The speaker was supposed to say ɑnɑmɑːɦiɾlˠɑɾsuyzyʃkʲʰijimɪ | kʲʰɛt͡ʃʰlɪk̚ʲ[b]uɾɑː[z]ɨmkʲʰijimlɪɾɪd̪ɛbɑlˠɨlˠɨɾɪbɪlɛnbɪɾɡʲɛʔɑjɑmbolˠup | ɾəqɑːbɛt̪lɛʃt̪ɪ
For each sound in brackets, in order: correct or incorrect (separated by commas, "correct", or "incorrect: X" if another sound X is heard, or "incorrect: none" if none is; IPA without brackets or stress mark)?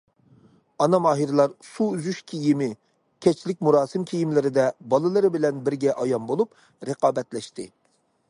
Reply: incorrect: m, incorrect: s